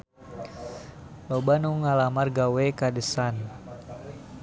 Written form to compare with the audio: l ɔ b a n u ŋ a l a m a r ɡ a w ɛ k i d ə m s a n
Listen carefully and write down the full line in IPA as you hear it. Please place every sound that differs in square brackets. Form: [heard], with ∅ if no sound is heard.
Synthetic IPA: l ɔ b a n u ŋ a l a m a r ɡ a w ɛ k [a] d ə [∅] s a n